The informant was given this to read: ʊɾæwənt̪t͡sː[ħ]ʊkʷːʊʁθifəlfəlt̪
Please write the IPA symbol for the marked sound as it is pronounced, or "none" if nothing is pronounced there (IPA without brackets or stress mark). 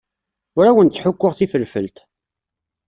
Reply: ħ